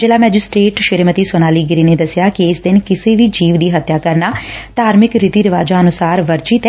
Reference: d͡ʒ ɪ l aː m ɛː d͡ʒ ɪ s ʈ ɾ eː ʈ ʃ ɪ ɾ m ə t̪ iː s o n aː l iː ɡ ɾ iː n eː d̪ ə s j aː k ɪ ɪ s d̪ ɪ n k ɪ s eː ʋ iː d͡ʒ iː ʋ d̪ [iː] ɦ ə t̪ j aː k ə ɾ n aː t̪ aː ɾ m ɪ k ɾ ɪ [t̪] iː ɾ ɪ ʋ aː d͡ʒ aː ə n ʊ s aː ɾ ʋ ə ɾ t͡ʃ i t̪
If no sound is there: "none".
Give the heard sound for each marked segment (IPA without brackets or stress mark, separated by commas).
iː, t̪